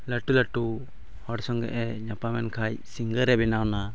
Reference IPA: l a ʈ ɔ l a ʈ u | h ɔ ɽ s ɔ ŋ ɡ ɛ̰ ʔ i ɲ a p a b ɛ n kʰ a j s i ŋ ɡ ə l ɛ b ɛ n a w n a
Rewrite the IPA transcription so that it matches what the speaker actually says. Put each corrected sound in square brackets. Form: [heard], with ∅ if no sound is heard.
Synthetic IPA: l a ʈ [u] l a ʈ u | h ɔ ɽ s ɔ ŋ ɡ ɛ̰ ʔ [ɛ] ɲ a p a [m] ɛ n kʰ a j s i ŋ ɡ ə [ɾ] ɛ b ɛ n a w n a